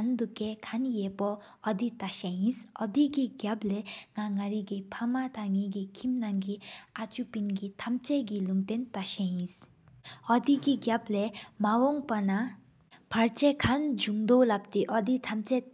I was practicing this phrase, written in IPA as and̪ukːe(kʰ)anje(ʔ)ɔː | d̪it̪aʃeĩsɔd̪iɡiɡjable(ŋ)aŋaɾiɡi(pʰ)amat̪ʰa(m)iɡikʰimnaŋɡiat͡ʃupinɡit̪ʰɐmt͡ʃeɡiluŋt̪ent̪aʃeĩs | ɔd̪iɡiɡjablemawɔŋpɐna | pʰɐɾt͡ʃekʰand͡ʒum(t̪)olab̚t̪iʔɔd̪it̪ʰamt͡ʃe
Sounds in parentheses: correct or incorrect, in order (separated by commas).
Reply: correct, incorrect, correct, correct, incorrect, incorrect